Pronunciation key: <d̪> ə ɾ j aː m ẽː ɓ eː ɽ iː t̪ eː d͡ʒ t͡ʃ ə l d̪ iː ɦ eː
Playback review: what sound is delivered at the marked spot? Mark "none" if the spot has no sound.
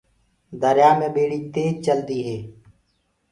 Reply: d̪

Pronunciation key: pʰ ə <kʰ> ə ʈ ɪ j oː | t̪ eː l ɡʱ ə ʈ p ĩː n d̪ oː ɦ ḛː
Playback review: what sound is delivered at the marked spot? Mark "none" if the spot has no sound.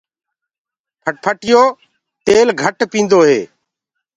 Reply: pʰ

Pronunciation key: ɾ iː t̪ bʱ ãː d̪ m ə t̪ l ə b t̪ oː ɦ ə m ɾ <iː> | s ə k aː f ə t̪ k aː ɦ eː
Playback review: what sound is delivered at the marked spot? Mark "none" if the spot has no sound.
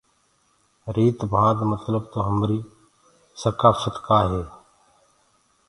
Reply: iː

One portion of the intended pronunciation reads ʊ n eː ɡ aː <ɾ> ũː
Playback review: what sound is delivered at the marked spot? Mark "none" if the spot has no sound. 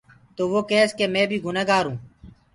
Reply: ɾ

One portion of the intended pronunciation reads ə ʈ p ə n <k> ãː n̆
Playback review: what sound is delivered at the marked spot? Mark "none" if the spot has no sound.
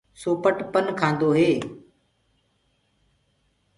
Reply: kʰ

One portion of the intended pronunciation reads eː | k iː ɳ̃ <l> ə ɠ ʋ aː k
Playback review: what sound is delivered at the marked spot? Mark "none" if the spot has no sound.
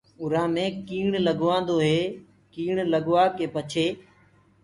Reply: l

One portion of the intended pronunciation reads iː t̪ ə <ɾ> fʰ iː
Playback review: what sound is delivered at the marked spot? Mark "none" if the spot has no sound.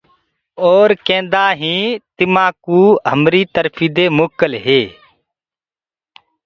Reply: ɾ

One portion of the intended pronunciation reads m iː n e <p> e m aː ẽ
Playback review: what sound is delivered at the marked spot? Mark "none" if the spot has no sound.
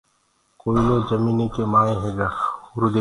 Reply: k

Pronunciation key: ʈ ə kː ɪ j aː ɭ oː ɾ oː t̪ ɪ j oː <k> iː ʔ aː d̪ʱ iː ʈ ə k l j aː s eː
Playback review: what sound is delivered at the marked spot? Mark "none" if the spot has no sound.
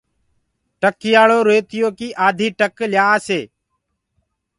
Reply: k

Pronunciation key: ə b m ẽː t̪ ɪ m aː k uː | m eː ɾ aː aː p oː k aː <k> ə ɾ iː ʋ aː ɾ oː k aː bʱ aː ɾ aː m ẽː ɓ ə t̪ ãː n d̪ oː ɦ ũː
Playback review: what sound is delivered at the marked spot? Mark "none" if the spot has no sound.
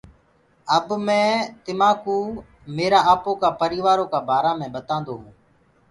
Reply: p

